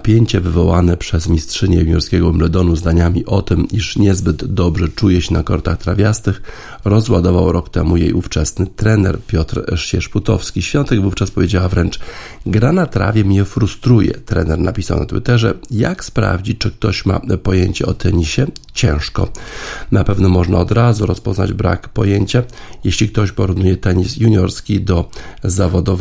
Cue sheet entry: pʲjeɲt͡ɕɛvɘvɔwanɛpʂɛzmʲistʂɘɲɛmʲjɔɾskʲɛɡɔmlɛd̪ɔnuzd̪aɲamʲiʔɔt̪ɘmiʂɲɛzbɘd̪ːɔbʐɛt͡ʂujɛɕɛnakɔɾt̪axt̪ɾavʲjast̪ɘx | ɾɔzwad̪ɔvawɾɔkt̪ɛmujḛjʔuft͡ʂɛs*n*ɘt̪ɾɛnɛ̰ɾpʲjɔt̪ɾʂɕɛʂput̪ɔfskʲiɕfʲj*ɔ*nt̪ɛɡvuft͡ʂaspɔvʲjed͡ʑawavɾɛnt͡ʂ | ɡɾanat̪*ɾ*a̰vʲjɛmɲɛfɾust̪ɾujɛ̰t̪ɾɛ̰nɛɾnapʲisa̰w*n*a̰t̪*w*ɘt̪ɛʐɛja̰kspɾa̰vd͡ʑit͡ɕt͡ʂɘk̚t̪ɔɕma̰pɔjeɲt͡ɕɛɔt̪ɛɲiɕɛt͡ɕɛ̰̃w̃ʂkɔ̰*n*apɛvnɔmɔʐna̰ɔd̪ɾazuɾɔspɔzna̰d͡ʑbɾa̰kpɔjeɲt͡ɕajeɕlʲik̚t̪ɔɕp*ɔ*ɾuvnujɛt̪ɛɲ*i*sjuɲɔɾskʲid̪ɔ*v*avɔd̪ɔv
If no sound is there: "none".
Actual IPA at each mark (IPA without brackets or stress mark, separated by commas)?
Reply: n, ɔ, ɾ, n, w, n, ɔ, i, z